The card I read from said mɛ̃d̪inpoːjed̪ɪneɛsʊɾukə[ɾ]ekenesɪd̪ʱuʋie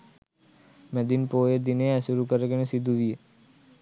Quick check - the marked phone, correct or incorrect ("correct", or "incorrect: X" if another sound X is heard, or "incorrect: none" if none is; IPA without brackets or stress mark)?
correct